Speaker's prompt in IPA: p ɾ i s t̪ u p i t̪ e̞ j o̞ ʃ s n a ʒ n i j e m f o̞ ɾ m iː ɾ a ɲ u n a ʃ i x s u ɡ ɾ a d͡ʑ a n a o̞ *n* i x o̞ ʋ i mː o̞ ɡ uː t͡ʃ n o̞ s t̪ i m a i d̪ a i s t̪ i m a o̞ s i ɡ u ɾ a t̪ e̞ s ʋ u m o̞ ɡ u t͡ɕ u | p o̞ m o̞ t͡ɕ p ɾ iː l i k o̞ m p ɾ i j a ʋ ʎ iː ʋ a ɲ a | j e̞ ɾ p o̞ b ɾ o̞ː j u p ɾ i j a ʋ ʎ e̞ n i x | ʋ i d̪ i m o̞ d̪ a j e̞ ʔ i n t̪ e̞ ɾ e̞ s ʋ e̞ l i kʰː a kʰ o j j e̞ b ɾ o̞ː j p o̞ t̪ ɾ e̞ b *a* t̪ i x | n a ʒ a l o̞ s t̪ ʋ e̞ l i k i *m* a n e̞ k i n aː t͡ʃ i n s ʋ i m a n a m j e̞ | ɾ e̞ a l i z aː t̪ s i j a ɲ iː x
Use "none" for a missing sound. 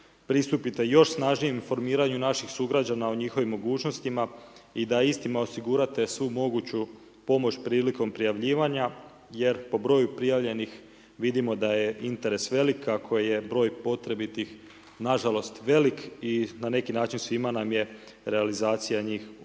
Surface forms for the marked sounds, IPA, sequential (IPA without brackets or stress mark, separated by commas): ɲ, i, n